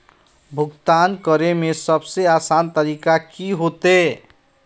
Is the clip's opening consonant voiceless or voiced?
voiced